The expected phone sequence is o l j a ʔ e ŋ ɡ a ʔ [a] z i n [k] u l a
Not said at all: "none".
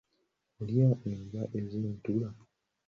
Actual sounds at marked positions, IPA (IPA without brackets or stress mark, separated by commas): e, t